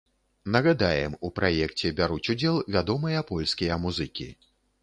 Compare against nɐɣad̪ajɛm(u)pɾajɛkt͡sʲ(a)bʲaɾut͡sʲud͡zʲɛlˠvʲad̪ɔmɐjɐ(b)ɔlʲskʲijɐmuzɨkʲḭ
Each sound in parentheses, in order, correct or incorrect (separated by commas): correct, incorrect, incorrect